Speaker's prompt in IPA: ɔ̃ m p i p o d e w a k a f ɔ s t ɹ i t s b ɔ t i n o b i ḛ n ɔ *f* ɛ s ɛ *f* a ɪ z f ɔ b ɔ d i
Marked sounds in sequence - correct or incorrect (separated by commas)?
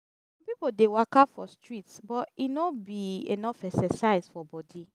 correct, incorrect